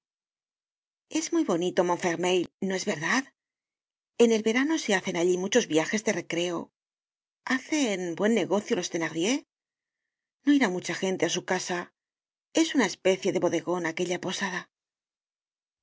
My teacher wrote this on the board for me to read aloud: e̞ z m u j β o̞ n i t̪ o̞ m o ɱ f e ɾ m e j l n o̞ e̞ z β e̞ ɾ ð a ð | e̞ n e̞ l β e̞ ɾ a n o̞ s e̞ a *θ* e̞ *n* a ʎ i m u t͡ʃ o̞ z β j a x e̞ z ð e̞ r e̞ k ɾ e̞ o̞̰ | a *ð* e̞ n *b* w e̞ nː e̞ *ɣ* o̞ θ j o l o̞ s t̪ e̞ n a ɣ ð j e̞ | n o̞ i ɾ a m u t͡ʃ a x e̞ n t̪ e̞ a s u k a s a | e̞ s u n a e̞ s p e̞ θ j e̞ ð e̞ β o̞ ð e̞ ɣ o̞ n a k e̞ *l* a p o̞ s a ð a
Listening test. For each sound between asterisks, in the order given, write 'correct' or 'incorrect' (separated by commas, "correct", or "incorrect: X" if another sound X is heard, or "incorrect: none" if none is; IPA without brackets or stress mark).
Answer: correct, correct, incorrect: θ, correct, correct, incorrect: ʎ